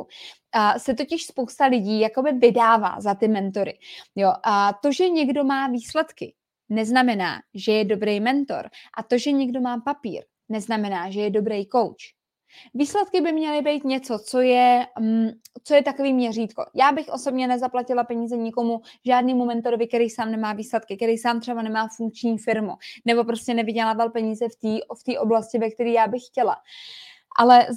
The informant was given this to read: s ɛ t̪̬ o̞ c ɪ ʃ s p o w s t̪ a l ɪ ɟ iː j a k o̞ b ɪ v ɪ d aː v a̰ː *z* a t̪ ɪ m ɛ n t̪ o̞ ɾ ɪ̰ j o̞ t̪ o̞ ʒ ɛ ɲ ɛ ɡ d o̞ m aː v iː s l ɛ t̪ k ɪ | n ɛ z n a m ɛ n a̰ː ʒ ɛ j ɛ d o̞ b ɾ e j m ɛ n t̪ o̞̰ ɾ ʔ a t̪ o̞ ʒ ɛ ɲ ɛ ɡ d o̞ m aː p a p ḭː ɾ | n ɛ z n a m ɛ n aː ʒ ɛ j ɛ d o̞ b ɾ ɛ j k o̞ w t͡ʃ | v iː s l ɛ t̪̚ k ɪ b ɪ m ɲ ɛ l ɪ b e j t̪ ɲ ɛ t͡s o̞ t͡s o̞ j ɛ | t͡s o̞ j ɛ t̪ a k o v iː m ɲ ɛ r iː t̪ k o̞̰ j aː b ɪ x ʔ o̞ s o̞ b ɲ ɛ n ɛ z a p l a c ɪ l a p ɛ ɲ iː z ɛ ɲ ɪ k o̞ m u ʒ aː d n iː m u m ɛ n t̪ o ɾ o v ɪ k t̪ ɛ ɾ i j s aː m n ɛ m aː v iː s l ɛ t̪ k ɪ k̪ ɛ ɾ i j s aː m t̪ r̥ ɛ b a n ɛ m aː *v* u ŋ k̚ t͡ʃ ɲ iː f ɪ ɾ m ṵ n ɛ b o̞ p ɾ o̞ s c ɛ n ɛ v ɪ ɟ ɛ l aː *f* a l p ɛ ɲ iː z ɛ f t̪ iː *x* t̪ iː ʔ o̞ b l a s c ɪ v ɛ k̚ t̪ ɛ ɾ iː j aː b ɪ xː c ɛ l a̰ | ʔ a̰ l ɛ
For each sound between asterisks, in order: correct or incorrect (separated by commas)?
correct, incorrect, incorrect, incorrect